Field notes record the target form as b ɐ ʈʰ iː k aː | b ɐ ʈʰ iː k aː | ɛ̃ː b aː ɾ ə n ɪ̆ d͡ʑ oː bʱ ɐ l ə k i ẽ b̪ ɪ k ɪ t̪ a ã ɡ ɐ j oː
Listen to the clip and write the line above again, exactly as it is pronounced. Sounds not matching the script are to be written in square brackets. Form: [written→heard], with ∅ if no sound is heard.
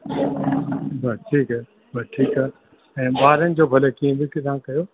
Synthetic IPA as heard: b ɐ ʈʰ iː k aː | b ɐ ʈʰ iː k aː | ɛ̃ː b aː ɾ ə n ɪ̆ d͡ʑ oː bʱ ɐ l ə k i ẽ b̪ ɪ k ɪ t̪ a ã [ɡ→k] ɐ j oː